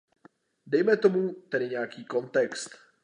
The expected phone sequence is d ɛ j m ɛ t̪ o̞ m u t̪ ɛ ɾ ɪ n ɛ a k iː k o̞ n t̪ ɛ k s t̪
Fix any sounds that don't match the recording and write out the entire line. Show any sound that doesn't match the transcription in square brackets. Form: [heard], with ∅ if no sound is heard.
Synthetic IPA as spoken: d ɛ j m ɛ t̪ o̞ m u t̪ ɛ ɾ ɪ [ɲ] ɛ a k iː k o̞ n t̪ ɛ k s t̪